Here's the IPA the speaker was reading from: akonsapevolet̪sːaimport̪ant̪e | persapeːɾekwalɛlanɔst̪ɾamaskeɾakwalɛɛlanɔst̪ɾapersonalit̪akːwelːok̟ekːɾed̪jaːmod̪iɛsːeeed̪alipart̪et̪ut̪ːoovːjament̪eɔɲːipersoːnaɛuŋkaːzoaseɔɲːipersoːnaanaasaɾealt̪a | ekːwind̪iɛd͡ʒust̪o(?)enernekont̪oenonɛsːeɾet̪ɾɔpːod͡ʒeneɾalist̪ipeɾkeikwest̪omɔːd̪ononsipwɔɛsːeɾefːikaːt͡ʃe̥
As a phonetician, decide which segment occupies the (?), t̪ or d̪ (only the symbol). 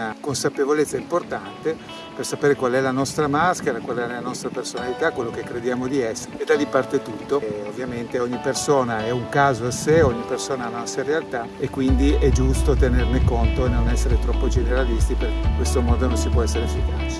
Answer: t̪